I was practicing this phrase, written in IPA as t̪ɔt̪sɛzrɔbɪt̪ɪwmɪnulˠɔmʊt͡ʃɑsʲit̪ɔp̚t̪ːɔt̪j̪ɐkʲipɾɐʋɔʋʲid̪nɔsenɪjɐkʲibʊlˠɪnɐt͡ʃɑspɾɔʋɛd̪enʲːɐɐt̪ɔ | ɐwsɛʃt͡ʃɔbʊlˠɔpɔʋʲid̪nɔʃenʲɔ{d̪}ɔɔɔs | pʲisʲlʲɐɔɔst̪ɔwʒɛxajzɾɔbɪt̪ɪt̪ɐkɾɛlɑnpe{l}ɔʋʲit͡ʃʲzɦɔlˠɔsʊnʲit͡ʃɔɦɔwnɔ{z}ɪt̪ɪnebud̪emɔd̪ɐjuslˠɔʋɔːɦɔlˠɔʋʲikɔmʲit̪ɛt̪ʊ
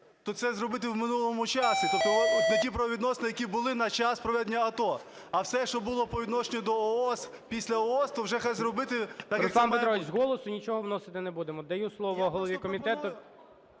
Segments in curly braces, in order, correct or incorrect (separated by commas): correct, incorrect, incorrect